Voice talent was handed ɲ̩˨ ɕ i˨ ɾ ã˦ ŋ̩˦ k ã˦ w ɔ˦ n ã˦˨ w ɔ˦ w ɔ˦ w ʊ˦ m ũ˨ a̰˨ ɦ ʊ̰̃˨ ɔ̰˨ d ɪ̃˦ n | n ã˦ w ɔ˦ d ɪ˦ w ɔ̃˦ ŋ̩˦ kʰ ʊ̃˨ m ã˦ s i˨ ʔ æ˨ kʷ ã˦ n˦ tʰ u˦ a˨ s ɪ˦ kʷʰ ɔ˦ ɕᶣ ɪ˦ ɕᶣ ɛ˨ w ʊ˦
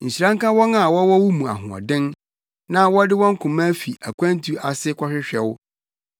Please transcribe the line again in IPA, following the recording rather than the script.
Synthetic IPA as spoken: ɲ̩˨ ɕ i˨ ɾ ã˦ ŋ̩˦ k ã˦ w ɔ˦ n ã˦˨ w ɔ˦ w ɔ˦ w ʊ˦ m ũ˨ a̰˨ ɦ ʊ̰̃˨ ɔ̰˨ d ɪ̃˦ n | n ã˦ w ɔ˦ d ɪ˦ w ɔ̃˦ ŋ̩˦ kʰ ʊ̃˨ m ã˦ f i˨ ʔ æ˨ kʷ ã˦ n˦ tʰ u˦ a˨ s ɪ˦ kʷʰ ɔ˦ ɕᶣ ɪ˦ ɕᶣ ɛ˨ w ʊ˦

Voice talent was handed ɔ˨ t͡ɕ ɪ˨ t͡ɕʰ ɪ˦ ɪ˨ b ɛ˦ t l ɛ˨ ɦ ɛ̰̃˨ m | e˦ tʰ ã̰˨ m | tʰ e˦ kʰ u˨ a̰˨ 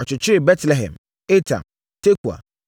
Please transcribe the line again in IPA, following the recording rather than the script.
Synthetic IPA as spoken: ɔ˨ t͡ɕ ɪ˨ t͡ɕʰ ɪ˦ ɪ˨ b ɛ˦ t l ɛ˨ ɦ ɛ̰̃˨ m | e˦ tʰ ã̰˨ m | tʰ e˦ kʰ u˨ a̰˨

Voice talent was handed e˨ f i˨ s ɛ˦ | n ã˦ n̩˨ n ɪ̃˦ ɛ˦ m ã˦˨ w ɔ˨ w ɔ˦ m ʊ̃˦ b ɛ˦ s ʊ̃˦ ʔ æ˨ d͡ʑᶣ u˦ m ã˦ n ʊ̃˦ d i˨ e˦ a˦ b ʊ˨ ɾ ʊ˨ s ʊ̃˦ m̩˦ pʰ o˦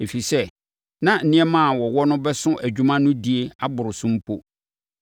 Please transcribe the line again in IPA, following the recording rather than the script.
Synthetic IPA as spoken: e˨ f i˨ s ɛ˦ | n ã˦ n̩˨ n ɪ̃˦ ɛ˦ m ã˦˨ w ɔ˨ w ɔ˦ n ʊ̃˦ b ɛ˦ s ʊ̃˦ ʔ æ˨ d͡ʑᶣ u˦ m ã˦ n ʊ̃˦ d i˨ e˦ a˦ b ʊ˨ ɾ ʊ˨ s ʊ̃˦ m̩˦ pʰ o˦

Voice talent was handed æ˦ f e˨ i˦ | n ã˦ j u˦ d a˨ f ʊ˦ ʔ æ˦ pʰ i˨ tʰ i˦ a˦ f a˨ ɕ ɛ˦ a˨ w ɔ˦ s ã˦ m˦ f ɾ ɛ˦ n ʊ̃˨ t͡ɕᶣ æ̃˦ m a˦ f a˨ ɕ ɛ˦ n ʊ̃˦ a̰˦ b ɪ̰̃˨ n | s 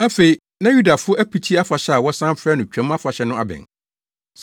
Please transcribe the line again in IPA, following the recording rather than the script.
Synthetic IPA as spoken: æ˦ f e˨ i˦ | n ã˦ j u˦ d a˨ f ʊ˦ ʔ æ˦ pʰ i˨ tʰ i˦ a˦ f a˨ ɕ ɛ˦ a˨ w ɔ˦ s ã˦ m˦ f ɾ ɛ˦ n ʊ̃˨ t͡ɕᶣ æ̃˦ m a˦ f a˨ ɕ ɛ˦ n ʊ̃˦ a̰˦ b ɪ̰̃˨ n | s

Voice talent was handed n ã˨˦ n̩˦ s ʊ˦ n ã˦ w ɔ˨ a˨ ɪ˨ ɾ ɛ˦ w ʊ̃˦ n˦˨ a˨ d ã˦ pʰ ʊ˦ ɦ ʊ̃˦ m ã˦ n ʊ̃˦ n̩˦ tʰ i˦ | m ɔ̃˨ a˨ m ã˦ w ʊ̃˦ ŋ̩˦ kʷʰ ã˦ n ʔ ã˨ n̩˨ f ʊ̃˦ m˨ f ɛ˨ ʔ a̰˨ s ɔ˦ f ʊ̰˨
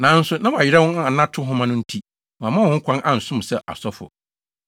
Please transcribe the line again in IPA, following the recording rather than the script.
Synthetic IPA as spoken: n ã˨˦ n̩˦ s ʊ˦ n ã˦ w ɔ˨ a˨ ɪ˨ ɾ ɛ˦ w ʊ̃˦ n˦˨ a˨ n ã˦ tʰ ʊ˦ ɦ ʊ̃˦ m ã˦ n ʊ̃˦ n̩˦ tʰ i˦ | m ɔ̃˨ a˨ m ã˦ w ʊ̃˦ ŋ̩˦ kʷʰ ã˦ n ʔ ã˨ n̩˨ s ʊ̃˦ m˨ s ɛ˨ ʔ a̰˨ s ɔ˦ f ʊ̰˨

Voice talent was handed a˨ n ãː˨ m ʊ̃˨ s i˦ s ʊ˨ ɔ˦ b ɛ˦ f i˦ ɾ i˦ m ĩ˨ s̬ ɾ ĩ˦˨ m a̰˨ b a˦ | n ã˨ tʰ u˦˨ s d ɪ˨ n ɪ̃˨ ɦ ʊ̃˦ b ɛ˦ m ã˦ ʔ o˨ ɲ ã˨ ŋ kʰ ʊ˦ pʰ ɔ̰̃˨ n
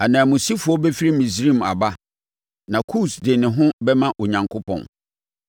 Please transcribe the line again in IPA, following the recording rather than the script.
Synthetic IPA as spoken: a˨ n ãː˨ m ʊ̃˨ s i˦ f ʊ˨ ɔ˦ b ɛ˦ f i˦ ɾ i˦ m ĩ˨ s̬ ɾ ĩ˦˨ m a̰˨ b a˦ | n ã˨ kʰ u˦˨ s d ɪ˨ n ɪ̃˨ ɦ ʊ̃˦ b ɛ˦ m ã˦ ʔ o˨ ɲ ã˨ ŋ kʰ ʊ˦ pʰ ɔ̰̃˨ n

